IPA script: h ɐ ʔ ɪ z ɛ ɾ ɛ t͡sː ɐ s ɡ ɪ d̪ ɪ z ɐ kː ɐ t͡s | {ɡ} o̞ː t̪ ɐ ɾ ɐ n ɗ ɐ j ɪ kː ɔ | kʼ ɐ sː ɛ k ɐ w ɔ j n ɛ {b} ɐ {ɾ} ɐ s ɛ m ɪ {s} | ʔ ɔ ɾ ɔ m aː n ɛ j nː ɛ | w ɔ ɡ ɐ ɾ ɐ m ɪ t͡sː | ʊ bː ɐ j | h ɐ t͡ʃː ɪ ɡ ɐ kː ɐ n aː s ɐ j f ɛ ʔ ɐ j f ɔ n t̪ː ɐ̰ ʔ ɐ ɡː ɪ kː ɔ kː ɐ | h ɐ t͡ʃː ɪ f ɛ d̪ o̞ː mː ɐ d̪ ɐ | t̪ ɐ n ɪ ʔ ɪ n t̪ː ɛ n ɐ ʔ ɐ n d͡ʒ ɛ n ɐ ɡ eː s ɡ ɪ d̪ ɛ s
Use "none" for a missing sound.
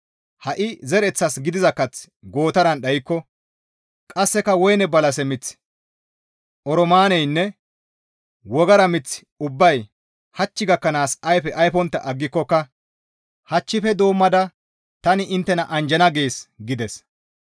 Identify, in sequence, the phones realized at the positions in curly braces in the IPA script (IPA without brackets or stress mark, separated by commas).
ɡ, b, l, t͡s